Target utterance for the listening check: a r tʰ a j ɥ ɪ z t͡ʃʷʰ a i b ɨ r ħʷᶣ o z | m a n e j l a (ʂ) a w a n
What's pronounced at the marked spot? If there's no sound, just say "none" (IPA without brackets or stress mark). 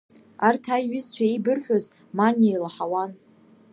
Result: ħ